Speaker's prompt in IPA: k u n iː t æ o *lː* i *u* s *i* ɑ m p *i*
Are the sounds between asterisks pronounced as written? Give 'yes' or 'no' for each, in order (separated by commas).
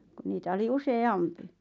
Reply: no, yes, no, yes